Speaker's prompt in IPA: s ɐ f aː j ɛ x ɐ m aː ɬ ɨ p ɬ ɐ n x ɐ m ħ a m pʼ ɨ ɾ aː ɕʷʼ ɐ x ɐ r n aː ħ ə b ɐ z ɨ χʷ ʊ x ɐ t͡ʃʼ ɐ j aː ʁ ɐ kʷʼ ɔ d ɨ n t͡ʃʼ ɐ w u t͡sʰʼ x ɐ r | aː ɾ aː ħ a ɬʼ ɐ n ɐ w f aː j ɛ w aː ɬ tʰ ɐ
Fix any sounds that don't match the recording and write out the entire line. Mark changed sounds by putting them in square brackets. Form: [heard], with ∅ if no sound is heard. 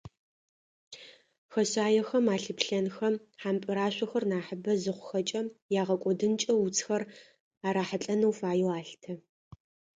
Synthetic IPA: [x] ɐ [ɕ] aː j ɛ x ɐ m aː ɬ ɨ p ɬ ɐ n x ɐ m ħ a m pʼ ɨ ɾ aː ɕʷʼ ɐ x ɐ r n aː ħ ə b ɐ z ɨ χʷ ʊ x ɐ t͡ʃʼ ɐ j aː ʁ ɐ kʷʼ ɔ d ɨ n t͡ʃʼ ɐ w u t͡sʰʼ x ɐ r | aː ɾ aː ħ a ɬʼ ɐ n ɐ w f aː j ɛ w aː ɬ tʰ ɐ

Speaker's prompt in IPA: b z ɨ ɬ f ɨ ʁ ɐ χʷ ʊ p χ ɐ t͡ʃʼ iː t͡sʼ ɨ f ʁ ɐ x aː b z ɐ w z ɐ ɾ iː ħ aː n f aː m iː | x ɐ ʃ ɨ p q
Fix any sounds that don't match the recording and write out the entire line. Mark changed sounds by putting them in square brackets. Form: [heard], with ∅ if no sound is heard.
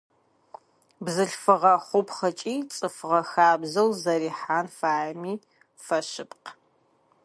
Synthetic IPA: b z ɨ ɬ f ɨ ʁ ɐ χʷ ʊ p χ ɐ t͡ʃʼ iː t͡sʼ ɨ f ʁ ɐ x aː b z ɐ w z ɐ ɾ iː ħ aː n f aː m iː | [f] ɐ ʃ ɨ p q

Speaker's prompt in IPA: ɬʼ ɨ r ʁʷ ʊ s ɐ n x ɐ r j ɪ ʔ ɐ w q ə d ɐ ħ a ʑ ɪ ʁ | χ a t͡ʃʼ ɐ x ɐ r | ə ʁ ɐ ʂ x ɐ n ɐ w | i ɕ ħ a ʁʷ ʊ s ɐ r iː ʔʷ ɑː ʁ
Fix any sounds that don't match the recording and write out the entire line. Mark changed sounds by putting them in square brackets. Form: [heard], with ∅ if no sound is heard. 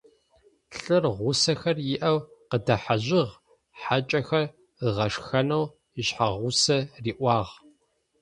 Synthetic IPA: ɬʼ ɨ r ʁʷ ʊ s ɐ [∅] x ɐ r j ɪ ʔ ɐ w q ə d ɐ ħ a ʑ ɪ ʁ | [ħ] a t͡ʃʼ ɐ x ɐ r | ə ʁ ɐ ʂ x ɐ n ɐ w | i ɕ ħ a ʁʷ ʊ s ɐ r iː ʔʷ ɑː ʁ

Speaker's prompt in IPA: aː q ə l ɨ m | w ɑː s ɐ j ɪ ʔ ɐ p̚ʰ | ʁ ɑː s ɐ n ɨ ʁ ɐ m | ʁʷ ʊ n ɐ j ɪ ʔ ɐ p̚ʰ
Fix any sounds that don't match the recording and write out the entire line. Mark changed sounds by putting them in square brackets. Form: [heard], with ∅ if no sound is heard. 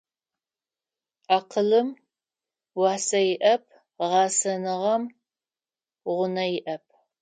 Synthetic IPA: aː q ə l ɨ m | w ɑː s ɐ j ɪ ʔ ɐ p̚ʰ | ʁ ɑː s ɐ n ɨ ʁ ɐ m | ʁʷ ʊ n ɐ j ɪ ʔ ɐ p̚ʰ

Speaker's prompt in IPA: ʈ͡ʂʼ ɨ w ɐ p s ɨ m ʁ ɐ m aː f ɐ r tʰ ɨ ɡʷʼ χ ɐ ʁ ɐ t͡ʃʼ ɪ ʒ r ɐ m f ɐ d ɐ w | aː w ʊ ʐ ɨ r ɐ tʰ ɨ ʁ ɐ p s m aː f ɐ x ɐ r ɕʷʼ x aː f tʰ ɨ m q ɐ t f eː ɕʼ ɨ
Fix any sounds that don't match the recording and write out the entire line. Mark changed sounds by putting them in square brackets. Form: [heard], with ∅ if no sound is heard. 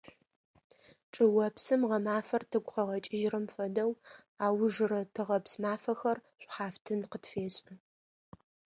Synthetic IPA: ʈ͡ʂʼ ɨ w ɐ p s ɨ m ʁ ɐ m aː f ɐ r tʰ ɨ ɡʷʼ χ ɐ ʁ ɐ t͡ʃʼ ɪ ʒ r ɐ m f ɐ d ɐ w | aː w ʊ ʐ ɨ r ɐ tʰ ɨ ʁ ɐ p s m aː f ɐ x ɐ r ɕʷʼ [ħ] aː f tʰ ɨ [n] q [ə] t f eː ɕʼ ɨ

